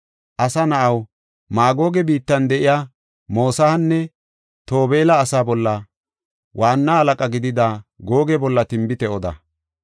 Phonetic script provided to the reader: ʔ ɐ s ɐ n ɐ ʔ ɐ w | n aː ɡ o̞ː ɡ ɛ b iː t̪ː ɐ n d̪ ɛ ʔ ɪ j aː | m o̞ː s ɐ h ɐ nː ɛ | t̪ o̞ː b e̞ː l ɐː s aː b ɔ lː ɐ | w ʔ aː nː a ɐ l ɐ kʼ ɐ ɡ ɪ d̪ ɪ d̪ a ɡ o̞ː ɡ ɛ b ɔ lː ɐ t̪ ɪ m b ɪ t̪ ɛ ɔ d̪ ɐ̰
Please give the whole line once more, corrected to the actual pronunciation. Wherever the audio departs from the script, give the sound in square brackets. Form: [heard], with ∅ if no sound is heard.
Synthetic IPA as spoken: ʔ ɐ s ɐ n ɐ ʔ ɐ w | [m] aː ɡ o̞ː ɡ ɛ b iː t̪ː ɐ n d̪ ɛ ʔ ɪ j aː | m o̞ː s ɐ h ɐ nː ɛ | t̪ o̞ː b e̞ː l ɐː s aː b ɔ lː ɐ | w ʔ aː nː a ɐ l ɐ kʼ ɐ ɡ ɪ d̪ ɪ d̪ a ɡ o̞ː ɡ ɛ b ɔ lː ɐ t̪ ɪ m b ɪ t̪ ɛ ɔ d̪ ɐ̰